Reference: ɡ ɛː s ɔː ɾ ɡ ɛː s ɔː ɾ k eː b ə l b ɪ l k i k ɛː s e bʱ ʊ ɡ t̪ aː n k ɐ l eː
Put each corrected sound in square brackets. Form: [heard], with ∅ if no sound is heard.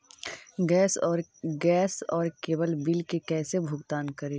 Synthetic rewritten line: ɡ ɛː s ɔː ɾ ɡ ɛː s ɔː ɾ k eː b ə l b ɪ l k [e] k ɛː s e bʱ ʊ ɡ t̪ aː n k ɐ [ɾ] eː